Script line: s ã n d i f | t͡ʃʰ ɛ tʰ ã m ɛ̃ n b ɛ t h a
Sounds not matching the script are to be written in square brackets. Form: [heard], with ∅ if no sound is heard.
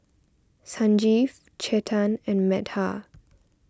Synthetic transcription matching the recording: s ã n [d͡ʒ] i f | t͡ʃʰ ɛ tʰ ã [n] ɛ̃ n [m] ɛ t h a